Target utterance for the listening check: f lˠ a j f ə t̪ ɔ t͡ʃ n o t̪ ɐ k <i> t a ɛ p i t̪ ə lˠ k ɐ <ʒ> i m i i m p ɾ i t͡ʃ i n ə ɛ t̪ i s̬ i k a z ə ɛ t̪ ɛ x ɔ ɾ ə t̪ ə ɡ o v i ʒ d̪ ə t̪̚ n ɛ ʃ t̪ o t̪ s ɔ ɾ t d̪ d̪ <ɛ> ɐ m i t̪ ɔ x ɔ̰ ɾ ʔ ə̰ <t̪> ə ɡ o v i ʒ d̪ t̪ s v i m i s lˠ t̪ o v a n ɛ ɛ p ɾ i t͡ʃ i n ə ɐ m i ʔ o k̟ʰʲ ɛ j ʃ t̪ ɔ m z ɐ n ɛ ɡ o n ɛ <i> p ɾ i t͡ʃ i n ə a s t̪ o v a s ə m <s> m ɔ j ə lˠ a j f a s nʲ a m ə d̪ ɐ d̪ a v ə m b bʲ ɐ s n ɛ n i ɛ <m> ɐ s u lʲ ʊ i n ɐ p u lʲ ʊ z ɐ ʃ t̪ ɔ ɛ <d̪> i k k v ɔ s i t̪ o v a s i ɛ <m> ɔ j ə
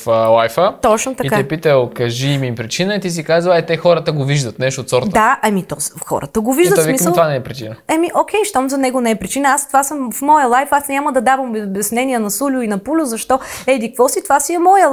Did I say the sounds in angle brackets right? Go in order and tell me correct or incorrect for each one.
correct, correct, incorrect, correct, incorrect, incorrect, incorrect, correct, correct

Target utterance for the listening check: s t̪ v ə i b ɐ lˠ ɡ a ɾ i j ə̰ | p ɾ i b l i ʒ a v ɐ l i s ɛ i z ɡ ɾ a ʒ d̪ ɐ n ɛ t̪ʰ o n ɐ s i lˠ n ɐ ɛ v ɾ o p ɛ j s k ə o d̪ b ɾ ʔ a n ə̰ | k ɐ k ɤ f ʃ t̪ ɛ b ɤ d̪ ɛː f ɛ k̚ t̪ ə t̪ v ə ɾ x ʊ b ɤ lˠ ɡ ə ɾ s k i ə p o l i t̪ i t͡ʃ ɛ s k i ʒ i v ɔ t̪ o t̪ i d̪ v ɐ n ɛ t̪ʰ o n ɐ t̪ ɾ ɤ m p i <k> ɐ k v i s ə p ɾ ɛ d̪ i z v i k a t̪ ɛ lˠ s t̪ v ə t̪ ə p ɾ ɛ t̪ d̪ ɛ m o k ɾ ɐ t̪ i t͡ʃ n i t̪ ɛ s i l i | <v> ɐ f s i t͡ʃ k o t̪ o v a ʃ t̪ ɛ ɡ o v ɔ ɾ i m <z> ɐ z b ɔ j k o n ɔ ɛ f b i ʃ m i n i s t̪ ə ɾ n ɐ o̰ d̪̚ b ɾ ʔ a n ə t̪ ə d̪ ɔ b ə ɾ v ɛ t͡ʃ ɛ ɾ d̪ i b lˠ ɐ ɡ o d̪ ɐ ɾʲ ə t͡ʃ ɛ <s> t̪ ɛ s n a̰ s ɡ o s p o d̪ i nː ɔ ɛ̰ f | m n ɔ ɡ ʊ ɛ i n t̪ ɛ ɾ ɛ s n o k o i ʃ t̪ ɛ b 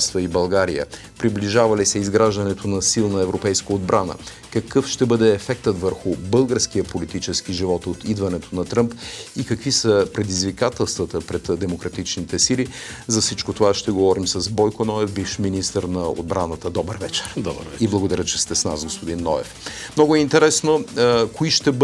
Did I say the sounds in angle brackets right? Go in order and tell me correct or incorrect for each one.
correct, incorrect, incorrect, correct

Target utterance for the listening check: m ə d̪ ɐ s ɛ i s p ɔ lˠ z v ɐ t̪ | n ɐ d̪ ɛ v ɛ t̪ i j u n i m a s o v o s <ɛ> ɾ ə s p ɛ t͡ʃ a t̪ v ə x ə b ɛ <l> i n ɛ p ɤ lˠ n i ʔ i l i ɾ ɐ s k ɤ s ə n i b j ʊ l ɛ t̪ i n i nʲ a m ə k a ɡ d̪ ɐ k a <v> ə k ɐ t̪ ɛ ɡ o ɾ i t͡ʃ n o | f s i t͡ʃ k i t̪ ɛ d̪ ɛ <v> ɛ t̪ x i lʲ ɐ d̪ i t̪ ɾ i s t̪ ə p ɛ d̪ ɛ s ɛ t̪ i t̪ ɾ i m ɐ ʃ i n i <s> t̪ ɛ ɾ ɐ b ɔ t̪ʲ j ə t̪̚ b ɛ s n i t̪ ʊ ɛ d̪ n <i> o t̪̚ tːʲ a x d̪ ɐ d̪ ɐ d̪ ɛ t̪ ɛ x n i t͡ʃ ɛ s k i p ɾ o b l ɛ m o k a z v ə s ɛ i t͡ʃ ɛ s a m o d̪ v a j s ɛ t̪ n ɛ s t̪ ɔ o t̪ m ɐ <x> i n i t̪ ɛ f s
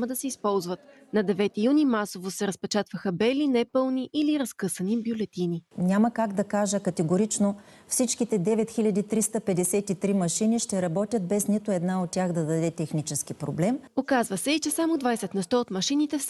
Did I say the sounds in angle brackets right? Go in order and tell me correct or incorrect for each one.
correct, correct, incorrect, correct, incorrect, incorrect, incorrect

